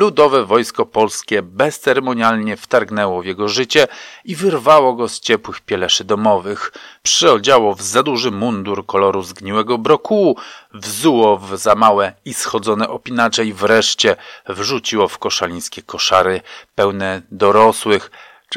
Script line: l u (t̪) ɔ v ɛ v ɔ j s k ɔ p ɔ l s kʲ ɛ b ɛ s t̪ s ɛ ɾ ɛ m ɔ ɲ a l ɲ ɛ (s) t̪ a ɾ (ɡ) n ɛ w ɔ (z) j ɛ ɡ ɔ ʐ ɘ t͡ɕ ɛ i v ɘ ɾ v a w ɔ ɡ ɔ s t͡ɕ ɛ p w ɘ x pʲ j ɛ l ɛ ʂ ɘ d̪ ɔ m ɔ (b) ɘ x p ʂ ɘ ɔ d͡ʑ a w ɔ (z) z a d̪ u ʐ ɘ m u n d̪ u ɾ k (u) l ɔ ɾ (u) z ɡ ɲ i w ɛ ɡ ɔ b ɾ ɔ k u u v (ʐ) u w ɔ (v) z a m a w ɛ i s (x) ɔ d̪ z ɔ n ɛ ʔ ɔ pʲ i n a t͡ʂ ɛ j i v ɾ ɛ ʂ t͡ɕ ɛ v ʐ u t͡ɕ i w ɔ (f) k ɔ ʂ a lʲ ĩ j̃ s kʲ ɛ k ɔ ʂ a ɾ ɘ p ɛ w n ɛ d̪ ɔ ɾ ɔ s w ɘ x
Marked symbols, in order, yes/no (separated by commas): no, no, yes, no, no, no, no, yes, no, yes, yes, yes